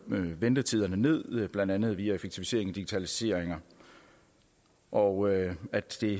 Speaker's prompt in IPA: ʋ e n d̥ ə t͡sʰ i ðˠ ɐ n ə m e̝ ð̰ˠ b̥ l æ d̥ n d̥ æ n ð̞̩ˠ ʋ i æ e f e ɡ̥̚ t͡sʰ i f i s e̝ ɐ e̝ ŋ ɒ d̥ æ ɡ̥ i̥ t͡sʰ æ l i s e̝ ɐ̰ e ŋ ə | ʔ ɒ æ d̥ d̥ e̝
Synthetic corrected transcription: ʋ e n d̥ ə t͡sʰ i ðˠ ɐ n ə n e̝ ð̰ˠ b̥ l æ n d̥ æ n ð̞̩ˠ ʋ i æ e f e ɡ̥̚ t͡sʰ i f i s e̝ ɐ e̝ ŋ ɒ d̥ i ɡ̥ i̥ t͡sʰ æ l i s e̝ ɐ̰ e ŋ ɐ | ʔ ɒ æ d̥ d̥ e̝